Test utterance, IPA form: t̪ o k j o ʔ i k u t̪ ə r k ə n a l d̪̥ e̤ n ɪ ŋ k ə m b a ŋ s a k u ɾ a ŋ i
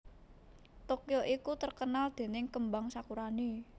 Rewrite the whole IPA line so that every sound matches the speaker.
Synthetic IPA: t̪ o k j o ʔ i k u t̪ ə r k ə n a l d̪̥ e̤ n ɪ ŋ k ə m b a ŋ s a k u ɾ a n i

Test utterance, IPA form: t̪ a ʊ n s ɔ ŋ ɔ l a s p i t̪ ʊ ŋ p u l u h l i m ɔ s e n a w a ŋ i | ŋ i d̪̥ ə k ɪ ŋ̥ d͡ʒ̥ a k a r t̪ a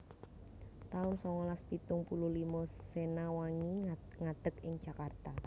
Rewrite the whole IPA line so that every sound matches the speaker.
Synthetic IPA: t̪ a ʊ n s ɔ ŋ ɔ l a s p i t̪ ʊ ŋ p u l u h l i m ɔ s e n a w a ŋ i | ŋ a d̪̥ ə k ɪ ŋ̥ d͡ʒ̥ a k a r t̪ a

